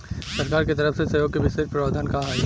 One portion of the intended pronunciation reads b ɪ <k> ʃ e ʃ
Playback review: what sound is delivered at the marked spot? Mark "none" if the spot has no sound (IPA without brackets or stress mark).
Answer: none